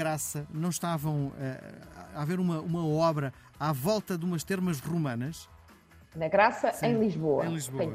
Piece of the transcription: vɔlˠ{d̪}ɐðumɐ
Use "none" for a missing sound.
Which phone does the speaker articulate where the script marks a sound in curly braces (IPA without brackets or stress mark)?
t̪